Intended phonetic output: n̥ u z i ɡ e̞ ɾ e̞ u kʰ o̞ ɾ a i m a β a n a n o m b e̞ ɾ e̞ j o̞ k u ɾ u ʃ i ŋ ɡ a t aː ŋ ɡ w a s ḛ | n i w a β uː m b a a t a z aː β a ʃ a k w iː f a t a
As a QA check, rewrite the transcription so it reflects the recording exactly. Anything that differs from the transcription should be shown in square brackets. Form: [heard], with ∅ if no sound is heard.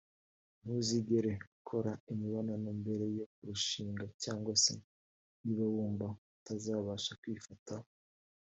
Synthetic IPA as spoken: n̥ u z i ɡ e̞ ɾ e̞ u kʰ o̞ ɾ a i m [i] β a n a n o m b e̞ ɾ e̞ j o̞ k u ɾ u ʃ [iː] ŋ ɡ a [c] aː ŋ ɡ w a s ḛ | n i [β] a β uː m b a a t a z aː β a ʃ a k w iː f a t a